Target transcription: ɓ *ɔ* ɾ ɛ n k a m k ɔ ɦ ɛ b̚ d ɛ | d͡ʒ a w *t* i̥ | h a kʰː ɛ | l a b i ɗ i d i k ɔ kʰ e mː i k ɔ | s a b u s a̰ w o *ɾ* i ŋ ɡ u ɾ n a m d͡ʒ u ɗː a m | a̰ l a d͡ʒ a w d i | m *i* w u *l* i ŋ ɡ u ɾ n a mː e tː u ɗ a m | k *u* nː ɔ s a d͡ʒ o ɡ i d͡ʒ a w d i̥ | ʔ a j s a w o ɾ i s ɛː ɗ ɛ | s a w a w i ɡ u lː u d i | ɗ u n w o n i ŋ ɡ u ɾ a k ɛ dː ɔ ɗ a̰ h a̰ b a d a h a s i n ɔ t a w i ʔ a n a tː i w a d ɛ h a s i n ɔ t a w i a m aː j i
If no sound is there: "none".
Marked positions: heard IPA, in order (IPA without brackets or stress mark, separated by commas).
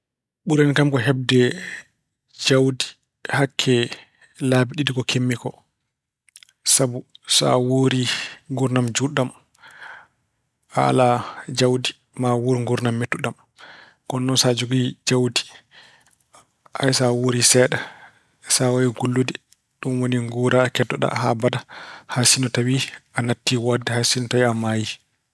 u, d, ɾ, a, ɾ, ɔ